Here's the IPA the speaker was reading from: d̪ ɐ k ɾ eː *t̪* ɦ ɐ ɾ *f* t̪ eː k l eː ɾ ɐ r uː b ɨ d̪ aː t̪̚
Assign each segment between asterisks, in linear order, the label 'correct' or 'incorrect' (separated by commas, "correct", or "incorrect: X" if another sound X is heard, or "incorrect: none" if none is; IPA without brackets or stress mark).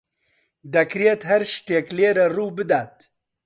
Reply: correct, incorrect: ʃ